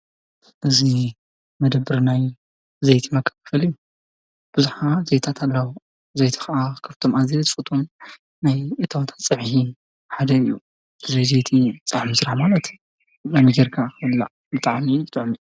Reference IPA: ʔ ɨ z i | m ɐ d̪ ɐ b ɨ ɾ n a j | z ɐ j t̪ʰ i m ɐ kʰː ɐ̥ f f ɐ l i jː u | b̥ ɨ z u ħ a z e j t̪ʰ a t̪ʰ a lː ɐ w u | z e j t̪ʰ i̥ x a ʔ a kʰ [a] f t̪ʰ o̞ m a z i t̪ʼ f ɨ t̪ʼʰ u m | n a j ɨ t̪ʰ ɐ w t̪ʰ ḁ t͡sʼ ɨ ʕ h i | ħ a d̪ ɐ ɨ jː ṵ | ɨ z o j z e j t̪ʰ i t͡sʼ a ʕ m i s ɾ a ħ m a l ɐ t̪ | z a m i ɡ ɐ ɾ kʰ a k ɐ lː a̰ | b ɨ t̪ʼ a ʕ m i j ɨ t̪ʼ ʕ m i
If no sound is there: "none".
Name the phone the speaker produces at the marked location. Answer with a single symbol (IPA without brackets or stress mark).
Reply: ɐ